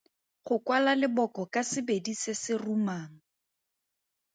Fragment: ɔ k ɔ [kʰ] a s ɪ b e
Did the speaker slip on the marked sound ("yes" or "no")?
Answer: yes